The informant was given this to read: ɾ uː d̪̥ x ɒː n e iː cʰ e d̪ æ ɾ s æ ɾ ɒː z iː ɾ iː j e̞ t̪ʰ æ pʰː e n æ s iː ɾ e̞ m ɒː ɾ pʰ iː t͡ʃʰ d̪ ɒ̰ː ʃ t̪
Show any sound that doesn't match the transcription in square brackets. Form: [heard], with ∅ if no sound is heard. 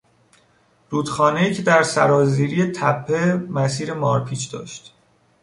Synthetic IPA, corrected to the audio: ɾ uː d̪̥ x ɒː n e iː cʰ e d̪ æ ɾ s æ ɾ ɒː z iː ɾ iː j e̞ t̪ʰ æ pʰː e [m] æ s iː ɾ e̞ m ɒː ɾ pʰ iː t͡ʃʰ d̪ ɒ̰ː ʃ t̪